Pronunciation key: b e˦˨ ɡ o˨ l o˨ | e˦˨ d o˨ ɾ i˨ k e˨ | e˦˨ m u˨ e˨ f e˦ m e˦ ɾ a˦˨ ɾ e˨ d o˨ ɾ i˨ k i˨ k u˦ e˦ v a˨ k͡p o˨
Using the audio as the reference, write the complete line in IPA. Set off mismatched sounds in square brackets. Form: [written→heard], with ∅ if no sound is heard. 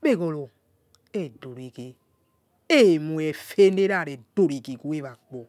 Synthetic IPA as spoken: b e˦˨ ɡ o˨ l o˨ | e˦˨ d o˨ ɾ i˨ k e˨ | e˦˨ m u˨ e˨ f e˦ [m→n] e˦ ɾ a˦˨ ɾ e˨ d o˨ ɾ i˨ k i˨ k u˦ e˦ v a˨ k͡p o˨